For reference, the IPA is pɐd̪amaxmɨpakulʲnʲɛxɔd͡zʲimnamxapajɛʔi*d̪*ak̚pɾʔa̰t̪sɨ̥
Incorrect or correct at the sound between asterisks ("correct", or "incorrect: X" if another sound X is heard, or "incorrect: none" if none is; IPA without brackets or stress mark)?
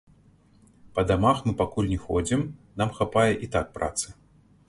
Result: incorrect: t̪